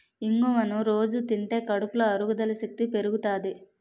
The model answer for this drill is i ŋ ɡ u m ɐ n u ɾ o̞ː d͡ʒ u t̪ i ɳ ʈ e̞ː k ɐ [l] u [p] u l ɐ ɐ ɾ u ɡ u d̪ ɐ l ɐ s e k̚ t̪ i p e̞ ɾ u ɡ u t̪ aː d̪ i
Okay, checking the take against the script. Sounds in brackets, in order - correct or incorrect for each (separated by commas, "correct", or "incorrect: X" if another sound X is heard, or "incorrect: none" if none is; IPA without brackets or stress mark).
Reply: incorrect: ɽ, correct